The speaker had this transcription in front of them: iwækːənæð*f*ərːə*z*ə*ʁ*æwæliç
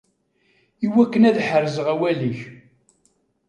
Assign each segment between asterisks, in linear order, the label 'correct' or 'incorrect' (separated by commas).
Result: incorrect, correct, correct